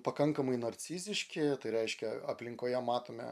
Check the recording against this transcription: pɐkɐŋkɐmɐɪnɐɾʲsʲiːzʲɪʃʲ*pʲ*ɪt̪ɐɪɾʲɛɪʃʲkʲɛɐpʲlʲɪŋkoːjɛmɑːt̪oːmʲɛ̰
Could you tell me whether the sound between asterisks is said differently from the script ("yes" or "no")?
yes